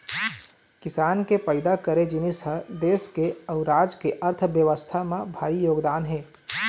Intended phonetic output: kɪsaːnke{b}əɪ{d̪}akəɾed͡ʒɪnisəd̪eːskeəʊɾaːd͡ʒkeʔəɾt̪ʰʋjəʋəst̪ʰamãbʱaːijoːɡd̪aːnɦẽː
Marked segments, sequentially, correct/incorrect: incorrect: p, correct

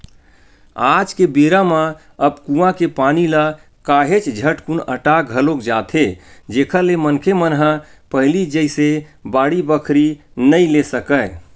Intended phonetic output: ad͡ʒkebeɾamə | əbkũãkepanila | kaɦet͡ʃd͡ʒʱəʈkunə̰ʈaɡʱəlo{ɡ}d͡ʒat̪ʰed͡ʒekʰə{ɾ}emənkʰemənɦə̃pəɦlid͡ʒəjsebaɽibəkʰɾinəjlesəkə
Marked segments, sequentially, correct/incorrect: incorrect: k, incorrect: l

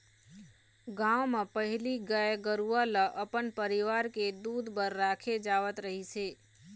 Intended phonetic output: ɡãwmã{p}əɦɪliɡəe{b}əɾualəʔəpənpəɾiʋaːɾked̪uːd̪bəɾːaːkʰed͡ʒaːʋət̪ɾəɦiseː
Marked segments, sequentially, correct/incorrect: correct, incorrect: ɡ

